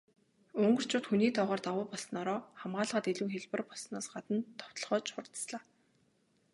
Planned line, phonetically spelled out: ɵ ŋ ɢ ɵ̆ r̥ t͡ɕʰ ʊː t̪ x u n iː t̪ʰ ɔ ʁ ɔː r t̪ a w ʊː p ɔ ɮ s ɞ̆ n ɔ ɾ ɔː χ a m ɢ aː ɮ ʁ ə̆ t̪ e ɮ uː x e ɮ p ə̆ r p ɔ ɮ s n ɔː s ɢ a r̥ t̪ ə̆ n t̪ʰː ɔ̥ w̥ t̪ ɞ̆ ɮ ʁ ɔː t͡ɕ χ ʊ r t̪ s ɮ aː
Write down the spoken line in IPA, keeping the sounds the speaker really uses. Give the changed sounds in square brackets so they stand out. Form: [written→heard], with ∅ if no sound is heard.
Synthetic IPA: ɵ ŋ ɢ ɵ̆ r̥ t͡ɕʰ ʊː t̪ x u n iː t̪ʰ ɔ ʁ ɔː r t̪ a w ʊː p ɔ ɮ s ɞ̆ n ɔ ɾ ɔː χ a m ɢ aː ɮ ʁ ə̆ t̪ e ɮ uː x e ɮ p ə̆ r p ɔ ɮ s n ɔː s ɢ a [r̥→∅] t̪ ə̆ n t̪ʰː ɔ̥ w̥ t̪ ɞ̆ ɮ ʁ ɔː t͡ɕ χ ʊ r t̪ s ɮ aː